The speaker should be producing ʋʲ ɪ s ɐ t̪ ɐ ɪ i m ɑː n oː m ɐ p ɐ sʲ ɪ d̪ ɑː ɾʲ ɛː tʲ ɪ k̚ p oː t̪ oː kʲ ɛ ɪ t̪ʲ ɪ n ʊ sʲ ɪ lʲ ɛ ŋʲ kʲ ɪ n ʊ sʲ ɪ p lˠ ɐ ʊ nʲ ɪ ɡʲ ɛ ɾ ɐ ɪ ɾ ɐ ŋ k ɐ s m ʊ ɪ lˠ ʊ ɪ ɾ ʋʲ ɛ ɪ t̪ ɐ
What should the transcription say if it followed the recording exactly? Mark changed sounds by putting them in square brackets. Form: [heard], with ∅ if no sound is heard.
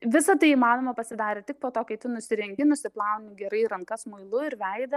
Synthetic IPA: ʋʲ ɪ s ɐ t̪ ɐ ɪ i m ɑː n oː m ɐ p ɐ sʲ ɪ d̪ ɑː ɾʲ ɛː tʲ ɪ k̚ p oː t̪ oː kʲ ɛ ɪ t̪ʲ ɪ n ʊ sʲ ɪ [ɾʲ] ɛ ŋʲ [ɡʲ] ɪ n ʊ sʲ ɪ p lˠ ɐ ʊ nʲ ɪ ɡʲ ɛ ɾ ɐ ɪ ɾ ɐ ŋ k ɐ s m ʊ ɪ lˠ ʊ ɪ ɾ ʋʲ ɛ ɪ [d̪] ɐ